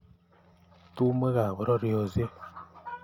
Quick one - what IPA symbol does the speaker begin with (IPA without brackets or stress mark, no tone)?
t